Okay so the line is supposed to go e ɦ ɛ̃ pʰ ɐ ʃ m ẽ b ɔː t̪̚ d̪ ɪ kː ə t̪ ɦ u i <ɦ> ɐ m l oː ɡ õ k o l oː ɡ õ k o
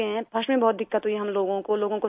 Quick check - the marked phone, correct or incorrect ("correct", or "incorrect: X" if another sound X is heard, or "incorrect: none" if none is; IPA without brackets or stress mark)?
correct